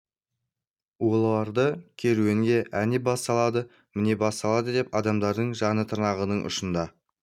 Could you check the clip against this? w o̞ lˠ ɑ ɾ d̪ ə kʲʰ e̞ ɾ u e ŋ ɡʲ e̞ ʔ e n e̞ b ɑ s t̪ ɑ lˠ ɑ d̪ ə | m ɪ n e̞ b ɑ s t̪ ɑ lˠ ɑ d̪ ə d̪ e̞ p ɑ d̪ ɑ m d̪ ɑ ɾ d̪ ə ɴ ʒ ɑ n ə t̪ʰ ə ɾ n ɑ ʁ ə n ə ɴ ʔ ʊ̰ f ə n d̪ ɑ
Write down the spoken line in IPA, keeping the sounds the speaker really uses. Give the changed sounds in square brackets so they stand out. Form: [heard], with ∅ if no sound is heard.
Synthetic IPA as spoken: w o̞ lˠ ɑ ɾ d̪ ə kʲʰ e̞ ɾ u e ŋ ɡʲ e̞ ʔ [æ] n e̞ b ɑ s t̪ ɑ lˠ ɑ d̪ ə | m ɪ n e̞ b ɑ s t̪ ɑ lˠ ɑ d̪ ə d̪ e̞ p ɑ d̪ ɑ m d̪ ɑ ɾ d̪ ə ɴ ʒ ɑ n ə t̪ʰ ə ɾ n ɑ ʁ ə n ə ɴ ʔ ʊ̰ [ʃ] ə n d̪ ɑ